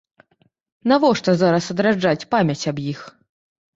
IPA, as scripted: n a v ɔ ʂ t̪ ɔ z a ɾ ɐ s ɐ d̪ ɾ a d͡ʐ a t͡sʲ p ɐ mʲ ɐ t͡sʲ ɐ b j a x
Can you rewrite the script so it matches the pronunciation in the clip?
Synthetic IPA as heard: n a v ɔ ʂ t̪ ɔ z a ɾ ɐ s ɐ d̪ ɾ a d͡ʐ a t͡sʲ p a mʲ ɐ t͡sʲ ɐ b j i x

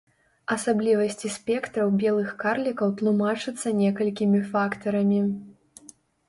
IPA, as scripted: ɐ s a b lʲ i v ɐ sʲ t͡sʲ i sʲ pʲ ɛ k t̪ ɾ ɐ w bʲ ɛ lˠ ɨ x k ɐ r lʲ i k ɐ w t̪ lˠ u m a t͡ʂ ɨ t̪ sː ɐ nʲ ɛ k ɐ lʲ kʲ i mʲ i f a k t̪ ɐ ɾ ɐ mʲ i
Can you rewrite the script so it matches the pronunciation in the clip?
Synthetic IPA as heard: ɐ s a b lʲ i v ɐ sʲ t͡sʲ i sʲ pʲ ɛ k t̪ ɾ ɐ w bʲ ɛ lˠ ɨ x k a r lʲ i k ɐ w t̪ lˠ u m a t͡ʂ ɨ t̪ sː ɐ nʲ ɛ k ɐ lʲ kʲ i mʲ i f a k t̪ ɐ ɾ ɐ mʲ i

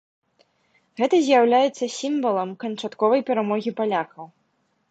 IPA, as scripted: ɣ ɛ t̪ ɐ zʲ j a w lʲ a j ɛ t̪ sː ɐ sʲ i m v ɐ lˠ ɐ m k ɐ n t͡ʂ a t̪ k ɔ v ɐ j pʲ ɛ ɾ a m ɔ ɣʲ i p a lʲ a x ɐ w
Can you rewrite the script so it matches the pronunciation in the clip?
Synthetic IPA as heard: ɣ ɛ t̪ ɐ zʲ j a w lʲ a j ɛ t̪ sː ɐ sʲ i m v ɐ lˠ ɐ m k ɐ n t͡ʂ a t̪ k ɔ v ɐ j pʲ ɛ ɾ a m ɔ ɣʲ i p a lʲ a x ɐ w

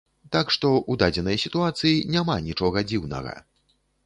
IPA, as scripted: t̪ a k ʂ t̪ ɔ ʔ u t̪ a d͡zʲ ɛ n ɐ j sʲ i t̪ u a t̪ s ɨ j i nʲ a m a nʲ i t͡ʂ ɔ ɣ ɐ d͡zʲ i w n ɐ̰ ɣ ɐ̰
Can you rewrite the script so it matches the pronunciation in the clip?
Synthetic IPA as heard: t̪ a k ʂ t̪ ɔ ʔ u d̪ a d͡zʲ ɛ n ɐ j sʲ i t̪ u a t̪ s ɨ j i nʲ a m a nʲ i t͡ʂ ɔ ɣ ɐ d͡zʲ i w n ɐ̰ ɣ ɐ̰

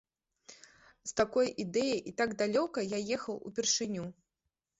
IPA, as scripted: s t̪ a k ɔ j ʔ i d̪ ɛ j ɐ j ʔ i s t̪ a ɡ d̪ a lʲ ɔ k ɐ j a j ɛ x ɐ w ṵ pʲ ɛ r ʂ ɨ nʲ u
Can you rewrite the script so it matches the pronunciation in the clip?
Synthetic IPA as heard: s t̪ a k ɔ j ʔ i d̪ ɛ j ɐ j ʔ i t̪ a ɡ d̪ a lʲ ɔ k ɐ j a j ɛ x ɐ w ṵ pʲ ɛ r ʂ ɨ nʲ u

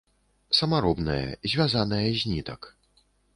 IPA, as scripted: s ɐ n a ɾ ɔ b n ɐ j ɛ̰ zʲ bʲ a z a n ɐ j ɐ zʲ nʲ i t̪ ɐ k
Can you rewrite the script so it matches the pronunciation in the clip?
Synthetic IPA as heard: s ɐ m a ɾ ɔ b n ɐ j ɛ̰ zʲ vʲ a z a n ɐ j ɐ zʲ nʲ i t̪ ɐ k

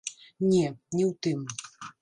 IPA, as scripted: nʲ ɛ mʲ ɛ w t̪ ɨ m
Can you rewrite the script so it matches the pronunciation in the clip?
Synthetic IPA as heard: nʲ ɛ nʲ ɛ w t̪ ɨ m

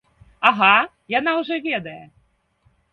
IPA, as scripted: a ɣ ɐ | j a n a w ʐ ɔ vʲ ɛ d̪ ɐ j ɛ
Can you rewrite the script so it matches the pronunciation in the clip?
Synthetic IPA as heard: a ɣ a | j a n a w ʐ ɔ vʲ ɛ d̪ ɐ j ɛ

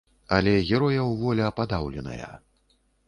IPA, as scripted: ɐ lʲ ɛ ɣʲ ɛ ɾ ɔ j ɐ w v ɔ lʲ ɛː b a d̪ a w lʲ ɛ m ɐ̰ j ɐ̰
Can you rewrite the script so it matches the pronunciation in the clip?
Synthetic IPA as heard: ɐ lʲ ɛ ɣʲ ɛ ɾ ɔ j ɐ w v ɔ lʲ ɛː p a d̪ a w lʲ ɛ n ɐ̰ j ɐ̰

